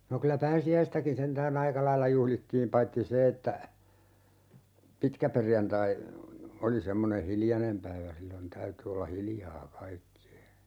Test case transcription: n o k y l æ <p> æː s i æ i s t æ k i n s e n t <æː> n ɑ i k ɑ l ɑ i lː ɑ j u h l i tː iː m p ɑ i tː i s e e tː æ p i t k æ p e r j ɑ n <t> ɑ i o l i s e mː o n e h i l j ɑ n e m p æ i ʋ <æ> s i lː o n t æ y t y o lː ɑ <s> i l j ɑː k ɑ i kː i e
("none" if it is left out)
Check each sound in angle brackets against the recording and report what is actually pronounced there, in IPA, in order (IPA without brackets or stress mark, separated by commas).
p, æː, t, æ, h